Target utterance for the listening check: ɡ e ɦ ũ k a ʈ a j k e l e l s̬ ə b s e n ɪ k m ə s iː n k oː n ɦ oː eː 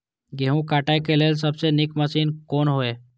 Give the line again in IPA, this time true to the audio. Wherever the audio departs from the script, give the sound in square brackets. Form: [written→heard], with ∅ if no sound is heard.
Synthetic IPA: ɡ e ɦ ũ k a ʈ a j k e l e l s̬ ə b s e n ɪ k m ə s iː n k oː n ɦ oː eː